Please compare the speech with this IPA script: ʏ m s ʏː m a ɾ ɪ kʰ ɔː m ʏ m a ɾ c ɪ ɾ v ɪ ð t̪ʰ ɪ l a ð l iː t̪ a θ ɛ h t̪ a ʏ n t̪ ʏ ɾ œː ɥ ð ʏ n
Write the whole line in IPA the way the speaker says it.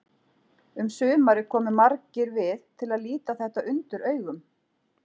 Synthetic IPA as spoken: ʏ m s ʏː m a ɾ ɪ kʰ ɔː m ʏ m a ɾ c ɪ ɾ v ɪ ð t̪ʰ ɪ l a ð l iː t̪ a θ ɛ h t̪ a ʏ n t̪ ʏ ɾ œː ɥ ɣ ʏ m